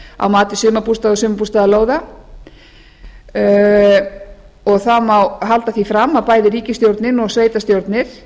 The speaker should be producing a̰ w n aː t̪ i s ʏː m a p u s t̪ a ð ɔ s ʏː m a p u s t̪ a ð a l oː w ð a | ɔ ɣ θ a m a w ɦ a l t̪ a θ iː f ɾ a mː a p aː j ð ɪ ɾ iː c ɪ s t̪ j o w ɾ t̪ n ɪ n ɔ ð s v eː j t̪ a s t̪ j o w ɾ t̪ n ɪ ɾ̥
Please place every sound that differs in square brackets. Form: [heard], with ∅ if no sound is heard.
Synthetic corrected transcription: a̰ w [m] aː t̪ [ɪ] s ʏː m a p u s t̪ a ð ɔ s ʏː m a p u s t̪ a ð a l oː w ð a | ɔ ɣ θ a m a w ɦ a l t̪ a θ [i] f ɾ a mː a p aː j ð ɪ ɾ iː c ɪ s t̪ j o w ɾ t̪ n ɪ n ɔ [ɣ] s v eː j t̪ a s t̪ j o w ɾ t̪ n ɪ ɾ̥

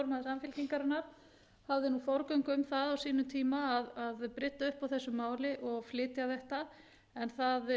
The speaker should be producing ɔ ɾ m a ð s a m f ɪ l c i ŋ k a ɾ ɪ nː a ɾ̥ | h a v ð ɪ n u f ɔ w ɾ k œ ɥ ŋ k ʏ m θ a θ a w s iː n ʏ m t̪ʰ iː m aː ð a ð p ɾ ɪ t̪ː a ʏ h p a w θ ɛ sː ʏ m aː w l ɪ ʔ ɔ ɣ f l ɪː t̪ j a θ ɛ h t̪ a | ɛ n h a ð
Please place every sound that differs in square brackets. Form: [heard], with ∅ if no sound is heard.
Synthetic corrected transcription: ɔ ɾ m a ð s a m f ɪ l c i ŋ k a ɾ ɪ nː a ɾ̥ | h a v ð ɪ n u f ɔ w ɾ k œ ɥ ŋ k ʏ m θ a [ð] a w s iː n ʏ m t̪ʰ iː m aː ð a ð p ɾ ɪ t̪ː a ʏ h p a w θ ɛ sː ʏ m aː w l ɪ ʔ ɔ ɣ f l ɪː t̪ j a θ ɛ h t̪ a | ɛ n [θ] a ð

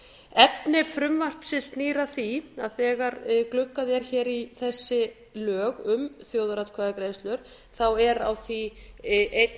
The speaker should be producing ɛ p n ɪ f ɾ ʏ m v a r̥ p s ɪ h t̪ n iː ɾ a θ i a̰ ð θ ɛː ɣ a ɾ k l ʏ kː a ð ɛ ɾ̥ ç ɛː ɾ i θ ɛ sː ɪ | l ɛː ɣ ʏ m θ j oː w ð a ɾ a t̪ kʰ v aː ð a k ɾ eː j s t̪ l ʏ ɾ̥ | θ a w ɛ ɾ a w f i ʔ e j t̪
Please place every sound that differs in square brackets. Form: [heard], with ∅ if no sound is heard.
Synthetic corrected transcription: ɛ p n ɪ f ɾ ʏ m v a r̥ p s ɪ [s] t̪ n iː ɾ a θ i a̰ ð θ ɛː ɣ a ɾ k l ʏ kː a ð ɛ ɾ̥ ç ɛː ɾ i θ ɛ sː ɪ | l [œː] ɣ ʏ m θ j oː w ð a ɾ a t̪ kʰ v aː ð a k ɾ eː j s t̪ l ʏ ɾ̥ | θ a w ɛ ɾ a w [θ] i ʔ e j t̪

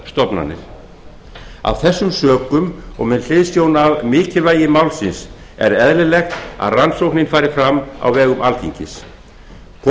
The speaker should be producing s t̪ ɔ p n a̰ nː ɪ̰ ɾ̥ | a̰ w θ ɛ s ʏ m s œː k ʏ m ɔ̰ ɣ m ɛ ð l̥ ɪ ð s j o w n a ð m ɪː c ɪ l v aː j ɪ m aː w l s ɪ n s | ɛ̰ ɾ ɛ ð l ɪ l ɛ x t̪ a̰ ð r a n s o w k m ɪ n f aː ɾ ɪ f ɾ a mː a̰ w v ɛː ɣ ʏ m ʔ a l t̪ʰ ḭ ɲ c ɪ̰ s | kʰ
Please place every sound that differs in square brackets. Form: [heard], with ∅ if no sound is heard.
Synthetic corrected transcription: s t̪ ɔ p n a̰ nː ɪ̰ ɾ̥ | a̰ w θ ɛ [sː] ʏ m s œː k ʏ m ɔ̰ ɣ m ɛ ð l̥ ɪ ð s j o w n a [v] m ɪː c ɪ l v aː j ɪ m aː w l s ɪ n s | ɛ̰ ɾ ɛ ð l ɪ l ɛ x t̪ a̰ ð r a n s o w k [n] ɪ n f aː ɾ ɪ f ɾ a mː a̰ w v ɛː ɣ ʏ m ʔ a l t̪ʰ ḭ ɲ c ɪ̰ s | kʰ

